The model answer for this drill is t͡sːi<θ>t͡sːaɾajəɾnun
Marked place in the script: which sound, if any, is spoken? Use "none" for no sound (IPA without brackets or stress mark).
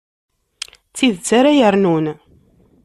ð